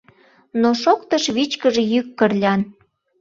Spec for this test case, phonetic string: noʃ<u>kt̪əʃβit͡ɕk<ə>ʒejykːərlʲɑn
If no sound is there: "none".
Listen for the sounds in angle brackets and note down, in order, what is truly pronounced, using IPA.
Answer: o, ə

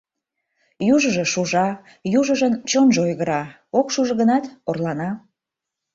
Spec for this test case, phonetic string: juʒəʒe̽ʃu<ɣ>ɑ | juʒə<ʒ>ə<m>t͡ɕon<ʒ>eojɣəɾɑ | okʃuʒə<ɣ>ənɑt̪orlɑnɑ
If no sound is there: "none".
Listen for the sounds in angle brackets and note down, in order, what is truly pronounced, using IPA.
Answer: ʒ, ʒ, n, ʒ, ɣ

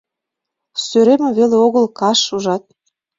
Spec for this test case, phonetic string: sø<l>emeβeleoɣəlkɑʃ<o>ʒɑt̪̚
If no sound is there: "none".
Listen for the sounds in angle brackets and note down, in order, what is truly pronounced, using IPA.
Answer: ɾ, u

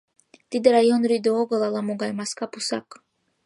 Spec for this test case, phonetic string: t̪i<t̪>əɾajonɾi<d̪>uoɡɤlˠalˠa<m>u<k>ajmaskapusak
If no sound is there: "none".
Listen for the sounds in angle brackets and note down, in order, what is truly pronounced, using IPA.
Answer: d̪, d̪, m, ɡ

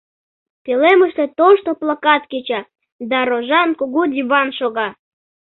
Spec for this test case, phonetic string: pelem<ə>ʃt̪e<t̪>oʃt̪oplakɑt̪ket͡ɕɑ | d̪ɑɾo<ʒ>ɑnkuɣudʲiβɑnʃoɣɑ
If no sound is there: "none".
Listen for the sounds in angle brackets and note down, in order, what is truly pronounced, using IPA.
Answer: ə, t̪, ʒ

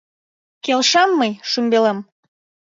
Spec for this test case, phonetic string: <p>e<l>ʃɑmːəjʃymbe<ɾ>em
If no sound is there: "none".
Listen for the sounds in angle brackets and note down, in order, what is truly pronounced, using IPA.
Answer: k, l, l

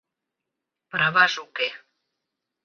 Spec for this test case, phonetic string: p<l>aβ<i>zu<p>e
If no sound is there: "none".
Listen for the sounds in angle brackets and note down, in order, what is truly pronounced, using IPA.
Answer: ɾ, a, k

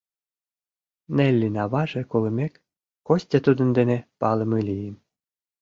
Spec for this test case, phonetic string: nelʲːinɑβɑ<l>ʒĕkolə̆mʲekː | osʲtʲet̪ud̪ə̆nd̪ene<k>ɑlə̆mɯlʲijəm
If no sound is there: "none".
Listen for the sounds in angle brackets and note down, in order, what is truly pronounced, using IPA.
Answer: none, p

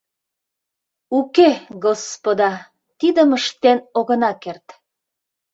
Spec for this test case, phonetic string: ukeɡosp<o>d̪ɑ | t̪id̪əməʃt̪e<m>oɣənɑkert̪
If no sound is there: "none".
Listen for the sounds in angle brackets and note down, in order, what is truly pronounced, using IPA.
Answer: o, n

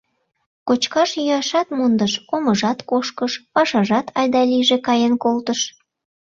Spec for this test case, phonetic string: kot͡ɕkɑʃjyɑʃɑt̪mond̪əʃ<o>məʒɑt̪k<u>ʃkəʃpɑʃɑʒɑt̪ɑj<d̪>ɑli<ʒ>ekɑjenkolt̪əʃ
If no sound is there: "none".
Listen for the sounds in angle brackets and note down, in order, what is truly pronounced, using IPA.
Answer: o, o, d̪, ʒ

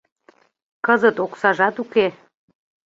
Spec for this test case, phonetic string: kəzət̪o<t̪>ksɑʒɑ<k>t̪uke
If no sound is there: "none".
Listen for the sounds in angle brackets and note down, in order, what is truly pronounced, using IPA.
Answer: none, none

